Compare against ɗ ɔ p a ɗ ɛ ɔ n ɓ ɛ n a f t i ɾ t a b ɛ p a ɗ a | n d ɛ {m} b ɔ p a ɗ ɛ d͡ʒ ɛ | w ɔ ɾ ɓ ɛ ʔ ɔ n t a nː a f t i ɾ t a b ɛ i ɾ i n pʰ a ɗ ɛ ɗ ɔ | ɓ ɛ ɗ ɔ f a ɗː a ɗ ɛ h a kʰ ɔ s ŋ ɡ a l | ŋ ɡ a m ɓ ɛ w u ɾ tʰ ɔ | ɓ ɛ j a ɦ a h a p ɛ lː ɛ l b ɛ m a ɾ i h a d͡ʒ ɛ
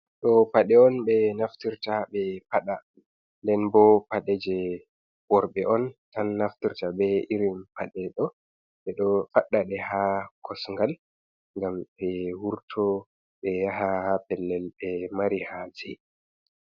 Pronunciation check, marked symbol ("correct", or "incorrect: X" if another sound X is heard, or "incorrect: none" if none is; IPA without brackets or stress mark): incorrect: n